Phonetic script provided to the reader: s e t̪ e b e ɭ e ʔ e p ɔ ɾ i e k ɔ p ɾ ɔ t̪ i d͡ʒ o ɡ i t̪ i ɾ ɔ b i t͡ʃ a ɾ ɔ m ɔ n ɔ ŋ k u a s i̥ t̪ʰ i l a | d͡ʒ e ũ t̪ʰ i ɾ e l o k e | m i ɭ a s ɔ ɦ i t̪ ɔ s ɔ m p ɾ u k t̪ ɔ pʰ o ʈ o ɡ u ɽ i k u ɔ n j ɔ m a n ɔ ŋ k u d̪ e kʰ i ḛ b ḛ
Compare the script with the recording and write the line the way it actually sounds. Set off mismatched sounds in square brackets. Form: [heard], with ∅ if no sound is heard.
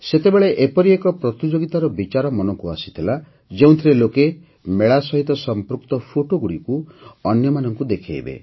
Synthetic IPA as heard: s e t̪ e b e ɭ e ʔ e p ɔ ɾ i e k ɔ p ɾ ɔ t̪ i d͡ʒ o ɡ i t̪ [a] ɾ ɔ b i t͡ʃ a ɾ ɔ m ɔ n ɔ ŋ k u a s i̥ t̪ʰ i l a | d͡ʒ e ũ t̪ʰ i ɾ e l o k e | m [e] ɭ a s ɔ ɦ i t̪ ɔ s ɔ m p ɾ u k t̪ ɔ pʰ o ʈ o ɡ u ɽ i k u ɔ n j ɔ m a n ɔ ŋ k u d̪ e kʰ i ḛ b ḛ